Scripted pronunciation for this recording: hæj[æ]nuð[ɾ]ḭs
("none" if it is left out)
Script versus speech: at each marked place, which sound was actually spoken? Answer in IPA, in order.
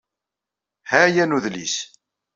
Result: æ, l

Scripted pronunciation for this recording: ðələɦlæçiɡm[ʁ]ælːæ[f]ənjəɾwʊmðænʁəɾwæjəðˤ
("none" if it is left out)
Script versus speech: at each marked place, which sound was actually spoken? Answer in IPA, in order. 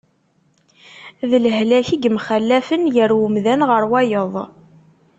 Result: χ, f

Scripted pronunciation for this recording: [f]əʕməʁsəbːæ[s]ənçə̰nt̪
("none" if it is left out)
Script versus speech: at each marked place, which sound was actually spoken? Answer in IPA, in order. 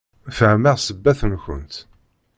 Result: f, θ

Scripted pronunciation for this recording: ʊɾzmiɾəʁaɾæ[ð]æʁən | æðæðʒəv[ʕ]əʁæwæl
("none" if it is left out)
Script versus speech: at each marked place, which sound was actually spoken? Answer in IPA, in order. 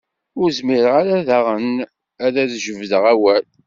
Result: ð, ð

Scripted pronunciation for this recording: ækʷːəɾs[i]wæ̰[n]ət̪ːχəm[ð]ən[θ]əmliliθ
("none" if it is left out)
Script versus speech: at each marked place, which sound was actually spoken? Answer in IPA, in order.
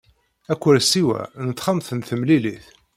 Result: i, n, θ, θ

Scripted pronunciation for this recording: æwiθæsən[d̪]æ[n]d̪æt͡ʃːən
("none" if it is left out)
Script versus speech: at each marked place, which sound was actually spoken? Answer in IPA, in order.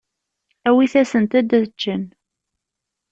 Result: t̪, none

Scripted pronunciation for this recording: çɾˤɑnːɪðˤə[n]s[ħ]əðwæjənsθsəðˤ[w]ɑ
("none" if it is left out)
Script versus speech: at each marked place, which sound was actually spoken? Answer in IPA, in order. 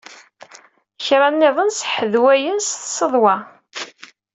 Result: n, ħ, w

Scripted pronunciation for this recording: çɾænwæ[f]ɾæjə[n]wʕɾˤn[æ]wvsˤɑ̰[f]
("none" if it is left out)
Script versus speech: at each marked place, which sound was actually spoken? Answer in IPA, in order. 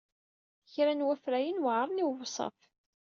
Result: f, n, i, f

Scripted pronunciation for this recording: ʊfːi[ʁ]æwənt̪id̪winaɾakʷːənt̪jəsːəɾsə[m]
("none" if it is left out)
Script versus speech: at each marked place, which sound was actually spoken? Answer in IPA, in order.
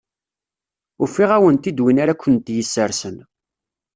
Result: ʁ, n

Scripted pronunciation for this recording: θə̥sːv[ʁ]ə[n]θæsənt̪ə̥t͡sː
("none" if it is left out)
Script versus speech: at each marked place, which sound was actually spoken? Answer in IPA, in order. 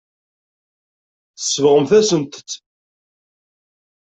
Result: ʁ, m

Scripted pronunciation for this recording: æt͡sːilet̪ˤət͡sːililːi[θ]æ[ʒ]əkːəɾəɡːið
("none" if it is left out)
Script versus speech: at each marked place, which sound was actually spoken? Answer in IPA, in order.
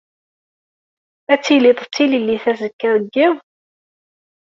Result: θ, z

